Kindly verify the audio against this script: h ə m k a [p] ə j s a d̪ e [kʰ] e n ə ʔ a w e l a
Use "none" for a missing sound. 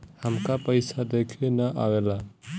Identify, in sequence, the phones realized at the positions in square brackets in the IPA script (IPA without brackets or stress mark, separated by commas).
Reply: p, kʰ